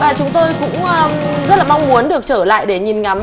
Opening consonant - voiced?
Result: yes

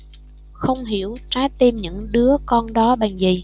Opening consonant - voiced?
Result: no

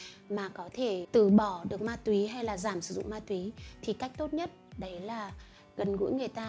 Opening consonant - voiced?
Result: yes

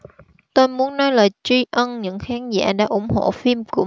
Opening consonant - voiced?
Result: no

